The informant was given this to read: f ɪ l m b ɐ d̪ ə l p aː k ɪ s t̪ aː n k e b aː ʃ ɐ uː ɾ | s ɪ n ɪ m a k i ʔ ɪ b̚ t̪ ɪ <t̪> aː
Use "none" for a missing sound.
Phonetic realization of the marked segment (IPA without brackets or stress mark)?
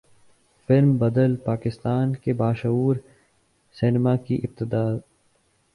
d̪